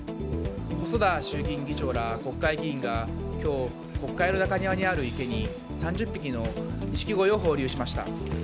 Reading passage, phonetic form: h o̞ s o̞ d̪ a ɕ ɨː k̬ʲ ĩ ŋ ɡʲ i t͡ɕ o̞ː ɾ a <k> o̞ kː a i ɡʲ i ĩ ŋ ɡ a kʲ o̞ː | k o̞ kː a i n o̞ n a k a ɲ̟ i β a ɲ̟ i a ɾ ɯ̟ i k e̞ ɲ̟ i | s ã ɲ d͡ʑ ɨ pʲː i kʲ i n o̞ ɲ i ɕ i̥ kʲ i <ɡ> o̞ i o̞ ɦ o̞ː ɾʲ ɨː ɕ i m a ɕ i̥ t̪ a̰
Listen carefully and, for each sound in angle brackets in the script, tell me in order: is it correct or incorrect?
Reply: correct, correct

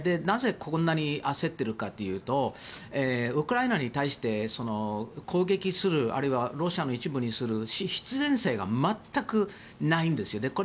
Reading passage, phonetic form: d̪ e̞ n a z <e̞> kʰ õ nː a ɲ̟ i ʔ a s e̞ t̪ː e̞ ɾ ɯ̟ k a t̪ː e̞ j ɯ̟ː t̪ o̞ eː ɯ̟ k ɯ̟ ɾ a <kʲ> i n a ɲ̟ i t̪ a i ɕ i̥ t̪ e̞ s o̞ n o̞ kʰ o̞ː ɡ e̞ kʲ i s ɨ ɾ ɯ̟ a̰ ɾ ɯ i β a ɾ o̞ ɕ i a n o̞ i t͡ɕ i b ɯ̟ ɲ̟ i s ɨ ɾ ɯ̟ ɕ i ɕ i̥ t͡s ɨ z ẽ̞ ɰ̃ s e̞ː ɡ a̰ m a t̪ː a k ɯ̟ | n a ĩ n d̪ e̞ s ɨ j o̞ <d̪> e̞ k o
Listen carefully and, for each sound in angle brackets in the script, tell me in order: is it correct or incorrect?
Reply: correct, incorrect: none, correct

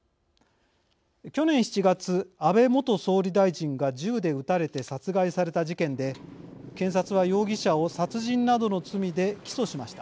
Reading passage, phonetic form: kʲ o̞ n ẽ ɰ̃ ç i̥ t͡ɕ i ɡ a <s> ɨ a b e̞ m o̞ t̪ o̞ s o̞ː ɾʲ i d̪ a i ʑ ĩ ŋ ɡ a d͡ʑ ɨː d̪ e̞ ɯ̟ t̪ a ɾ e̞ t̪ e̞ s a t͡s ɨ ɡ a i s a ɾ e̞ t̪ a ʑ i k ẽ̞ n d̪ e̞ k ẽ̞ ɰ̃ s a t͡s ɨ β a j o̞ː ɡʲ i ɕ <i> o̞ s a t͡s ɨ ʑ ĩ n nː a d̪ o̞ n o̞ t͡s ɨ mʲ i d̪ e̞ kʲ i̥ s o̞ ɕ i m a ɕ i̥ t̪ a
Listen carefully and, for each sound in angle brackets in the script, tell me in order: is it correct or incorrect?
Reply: incorrect: t͡s, incorrect: a

